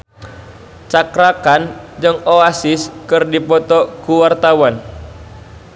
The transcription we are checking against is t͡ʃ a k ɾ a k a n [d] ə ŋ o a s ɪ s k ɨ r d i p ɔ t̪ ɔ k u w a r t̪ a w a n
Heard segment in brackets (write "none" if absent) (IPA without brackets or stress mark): d͡ʒ